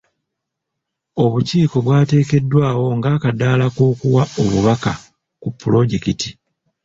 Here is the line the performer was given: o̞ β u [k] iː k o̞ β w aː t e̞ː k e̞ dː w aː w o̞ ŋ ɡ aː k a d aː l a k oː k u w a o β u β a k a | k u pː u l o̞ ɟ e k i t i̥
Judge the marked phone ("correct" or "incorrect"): incorrect